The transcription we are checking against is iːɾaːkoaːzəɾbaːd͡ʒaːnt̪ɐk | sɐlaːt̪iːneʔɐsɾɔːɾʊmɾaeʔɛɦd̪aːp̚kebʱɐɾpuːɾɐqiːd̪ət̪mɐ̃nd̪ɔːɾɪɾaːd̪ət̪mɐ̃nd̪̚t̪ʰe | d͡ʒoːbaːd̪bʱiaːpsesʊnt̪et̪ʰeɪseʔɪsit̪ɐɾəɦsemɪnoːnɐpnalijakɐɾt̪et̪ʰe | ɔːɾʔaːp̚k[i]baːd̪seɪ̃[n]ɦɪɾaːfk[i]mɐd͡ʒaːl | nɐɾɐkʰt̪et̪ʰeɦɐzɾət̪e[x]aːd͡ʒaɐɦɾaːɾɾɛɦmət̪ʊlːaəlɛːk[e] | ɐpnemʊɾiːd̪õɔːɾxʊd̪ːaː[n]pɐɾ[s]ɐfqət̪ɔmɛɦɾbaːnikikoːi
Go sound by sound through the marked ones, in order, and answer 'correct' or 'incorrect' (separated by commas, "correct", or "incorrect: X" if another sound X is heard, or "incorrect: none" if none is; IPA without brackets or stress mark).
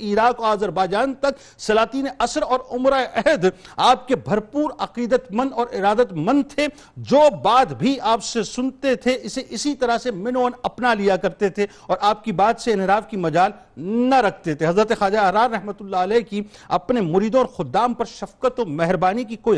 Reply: correct, correct, correct, correct, incorrect: i, incorrect: m, incorrect: ʃ